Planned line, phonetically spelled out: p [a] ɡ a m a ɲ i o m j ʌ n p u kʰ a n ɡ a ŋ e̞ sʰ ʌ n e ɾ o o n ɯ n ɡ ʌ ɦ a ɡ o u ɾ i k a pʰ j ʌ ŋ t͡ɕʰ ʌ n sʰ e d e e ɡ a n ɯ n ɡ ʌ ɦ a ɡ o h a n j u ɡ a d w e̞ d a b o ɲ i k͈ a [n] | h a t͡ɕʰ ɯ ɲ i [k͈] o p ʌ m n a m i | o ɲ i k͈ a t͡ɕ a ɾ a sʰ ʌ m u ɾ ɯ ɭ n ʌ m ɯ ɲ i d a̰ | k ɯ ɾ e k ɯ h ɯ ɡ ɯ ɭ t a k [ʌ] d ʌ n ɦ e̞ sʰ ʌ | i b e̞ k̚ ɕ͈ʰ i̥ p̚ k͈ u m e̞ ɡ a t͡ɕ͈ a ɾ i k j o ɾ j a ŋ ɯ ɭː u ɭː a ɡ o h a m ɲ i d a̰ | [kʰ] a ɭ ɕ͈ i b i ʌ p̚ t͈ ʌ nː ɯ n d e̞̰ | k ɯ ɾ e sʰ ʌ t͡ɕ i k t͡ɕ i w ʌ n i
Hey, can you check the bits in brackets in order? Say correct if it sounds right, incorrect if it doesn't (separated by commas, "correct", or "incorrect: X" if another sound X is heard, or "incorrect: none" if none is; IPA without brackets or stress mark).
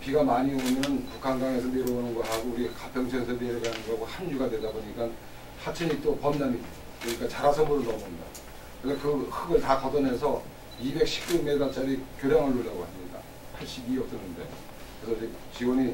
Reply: incorrect: i, correct, incorrect: t͈, correct, incorrect: pʰ